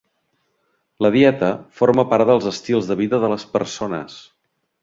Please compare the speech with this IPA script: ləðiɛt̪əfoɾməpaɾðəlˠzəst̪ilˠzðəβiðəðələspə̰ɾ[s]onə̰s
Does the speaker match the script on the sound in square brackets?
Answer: yes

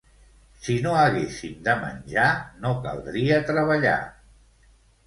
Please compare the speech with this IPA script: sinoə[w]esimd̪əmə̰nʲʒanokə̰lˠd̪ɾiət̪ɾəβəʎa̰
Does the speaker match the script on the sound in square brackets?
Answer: no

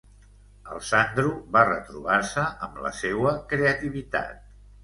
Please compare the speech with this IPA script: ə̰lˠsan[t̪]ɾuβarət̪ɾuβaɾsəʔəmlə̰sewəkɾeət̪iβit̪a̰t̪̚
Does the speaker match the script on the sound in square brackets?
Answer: no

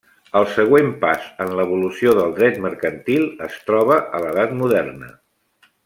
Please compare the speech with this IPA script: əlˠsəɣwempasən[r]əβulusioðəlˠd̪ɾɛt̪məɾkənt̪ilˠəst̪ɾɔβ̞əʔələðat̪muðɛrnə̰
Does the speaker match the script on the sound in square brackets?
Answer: no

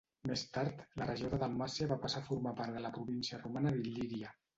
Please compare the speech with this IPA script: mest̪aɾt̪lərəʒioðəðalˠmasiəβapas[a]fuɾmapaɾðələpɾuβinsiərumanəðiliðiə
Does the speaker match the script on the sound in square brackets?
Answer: yes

